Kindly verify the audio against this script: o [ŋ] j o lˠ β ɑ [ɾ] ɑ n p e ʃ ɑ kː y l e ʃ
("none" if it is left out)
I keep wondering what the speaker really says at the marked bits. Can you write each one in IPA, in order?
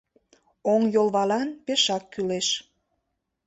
ŋ, l

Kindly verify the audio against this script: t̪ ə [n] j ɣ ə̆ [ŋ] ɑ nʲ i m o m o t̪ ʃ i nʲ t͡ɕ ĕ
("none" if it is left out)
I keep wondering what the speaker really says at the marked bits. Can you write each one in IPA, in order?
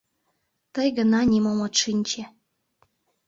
none, n

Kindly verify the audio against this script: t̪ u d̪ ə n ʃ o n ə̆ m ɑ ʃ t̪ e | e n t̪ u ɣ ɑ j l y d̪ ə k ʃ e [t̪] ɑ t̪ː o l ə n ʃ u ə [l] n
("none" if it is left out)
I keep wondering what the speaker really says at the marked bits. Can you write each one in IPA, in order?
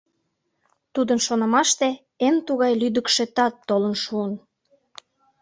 t̪, none

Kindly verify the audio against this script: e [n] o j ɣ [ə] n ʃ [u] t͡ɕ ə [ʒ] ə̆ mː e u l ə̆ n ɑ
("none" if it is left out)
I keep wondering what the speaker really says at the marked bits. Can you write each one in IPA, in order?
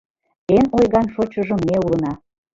n, ɑ, o, ʒ

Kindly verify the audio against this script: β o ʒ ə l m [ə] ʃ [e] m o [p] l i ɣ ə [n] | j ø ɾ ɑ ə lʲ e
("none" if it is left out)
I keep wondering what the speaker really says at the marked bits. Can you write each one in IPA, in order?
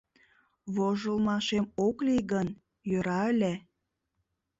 ɑ, e, k, n

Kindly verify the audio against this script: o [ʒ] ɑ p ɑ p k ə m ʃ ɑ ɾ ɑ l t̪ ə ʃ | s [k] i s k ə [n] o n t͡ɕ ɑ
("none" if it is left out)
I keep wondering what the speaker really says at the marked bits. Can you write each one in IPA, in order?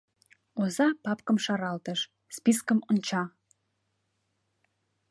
z, p, m

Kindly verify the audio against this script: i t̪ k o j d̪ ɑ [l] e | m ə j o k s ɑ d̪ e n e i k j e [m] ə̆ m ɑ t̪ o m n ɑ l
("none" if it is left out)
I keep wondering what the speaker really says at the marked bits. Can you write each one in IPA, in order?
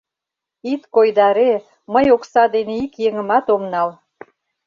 ɾ, ŋ

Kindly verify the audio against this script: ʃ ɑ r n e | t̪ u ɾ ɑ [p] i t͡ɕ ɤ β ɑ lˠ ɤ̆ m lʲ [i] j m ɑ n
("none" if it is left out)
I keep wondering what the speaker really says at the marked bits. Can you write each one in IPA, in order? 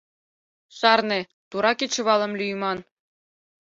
k, y

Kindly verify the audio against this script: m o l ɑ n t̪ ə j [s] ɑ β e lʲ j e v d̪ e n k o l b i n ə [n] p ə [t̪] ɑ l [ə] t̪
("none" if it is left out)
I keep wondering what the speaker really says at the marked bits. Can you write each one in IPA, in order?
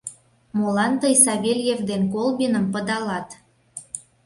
s, m, d̪, ɑ

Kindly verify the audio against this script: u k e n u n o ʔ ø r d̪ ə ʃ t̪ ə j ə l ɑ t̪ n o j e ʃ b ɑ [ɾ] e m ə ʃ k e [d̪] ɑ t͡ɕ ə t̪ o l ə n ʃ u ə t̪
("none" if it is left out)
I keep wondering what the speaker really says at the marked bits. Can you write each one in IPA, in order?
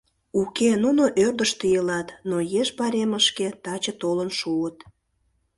ɾ, t̪

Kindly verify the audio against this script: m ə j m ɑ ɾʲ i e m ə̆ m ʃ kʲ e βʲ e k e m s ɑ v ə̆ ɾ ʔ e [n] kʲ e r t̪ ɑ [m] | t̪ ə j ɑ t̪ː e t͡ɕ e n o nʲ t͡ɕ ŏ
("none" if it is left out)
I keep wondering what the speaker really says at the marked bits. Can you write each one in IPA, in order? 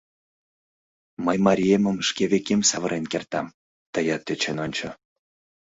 n, m

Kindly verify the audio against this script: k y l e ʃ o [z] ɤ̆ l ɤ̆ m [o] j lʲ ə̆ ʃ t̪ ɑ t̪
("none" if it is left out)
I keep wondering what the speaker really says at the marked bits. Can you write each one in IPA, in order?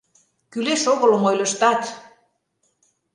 ɣ, o

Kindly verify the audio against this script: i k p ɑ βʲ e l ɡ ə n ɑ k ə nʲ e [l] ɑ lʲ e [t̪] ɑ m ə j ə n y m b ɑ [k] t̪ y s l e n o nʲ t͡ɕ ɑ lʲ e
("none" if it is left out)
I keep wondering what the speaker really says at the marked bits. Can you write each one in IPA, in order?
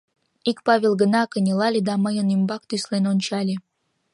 l, d̪, k

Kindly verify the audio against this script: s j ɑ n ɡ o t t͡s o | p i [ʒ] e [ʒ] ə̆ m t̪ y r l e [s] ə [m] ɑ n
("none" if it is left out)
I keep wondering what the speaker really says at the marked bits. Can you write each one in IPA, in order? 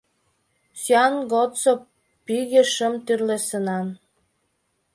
ɣ, ʃ, s, n

